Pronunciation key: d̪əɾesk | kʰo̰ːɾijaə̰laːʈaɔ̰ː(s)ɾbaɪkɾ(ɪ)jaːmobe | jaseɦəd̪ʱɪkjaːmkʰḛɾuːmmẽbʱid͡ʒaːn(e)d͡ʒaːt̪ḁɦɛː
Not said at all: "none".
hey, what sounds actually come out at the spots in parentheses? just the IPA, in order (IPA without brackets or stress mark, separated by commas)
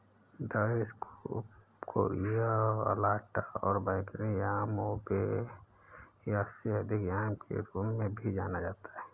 none, i, a